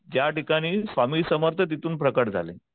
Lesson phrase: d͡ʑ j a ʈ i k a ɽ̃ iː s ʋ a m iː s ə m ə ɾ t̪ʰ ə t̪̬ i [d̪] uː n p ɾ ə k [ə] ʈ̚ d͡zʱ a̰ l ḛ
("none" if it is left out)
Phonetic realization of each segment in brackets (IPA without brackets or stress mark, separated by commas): t̪, ə